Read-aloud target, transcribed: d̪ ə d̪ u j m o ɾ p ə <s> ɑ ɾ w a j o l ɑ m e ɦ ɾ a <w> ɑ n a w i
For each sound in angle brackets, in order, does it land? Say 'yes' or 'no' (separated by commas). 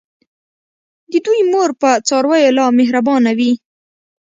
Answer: no, no